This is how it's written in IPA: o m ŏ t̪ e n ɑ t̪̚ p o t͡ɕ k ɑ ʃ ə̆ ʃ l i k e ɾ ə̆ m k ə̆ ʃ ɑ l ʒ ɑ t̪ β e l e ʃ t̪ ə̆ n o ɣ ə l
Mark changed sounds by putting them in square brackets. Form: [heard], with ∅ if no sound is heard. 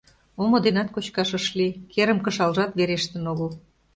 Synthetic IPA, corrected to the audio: o m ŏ [d̪] e n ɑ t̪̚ [k] o t͡ɕ k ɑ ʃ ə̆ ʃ l i k e ɾ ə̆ m k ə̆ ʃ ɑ l ʒ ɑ t̪ β e [ɾ] e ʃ t̪ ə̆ n o ɣ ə l